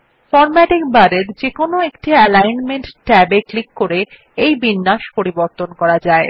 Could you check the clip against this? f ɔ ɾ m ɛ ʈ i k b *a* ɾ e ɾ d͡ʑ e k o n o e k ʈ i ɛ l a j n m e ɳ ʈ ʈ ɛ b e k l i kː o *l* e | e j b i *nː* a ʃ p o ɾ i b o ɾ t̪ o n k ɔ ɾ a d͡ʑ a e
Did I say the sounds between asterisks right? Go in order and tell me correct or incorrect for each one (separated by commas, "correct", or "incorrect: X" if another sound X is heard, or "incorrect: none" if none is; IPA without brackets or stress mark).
correct, incorrect: ɾ, correct